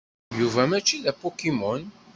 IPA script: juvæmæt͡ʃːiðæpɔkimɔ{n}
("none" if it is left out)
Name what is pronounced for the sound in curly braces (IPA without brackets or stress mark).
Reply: n